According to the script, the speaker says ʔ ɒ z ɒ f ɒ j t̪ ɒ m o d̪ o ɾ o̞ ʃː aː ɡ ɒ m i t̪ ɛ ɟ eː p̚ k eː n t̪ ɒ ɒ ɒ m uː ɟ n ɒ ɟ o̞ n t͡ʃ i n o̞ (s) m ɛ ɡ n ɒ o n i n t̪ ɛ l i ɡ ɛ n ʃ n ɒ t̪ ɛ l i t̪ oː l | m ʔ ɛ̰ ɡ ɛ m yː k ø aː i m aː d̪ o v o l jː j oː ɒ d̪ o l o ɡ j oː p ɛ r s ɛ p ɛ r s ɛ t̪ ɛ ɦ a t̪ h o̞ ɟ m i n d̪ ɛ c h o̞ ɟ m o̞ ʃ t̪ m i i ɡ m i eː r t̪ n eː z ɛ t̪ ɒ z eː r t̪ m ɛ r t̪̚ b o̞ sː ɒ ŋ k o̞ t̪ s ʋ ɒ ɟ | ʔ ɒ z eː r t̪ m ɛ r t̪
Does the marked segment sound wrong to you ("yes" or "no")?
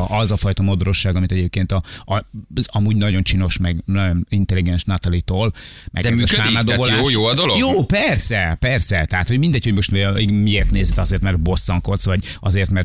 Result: yes